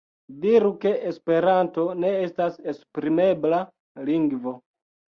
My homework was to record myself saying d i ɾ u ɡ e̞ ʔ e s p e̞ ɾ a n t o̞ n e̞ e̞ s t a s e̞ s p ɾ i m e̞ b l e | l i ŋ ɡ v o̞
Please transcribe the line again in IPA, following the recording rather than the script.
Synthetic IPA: d i ɾ u k e̞ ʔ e s p e̞ ɾ a n t o̞ n e̞ e̞ s t a s e̞ s p ɾ i m e̞ b l a | l i ŋ ɡ v o̞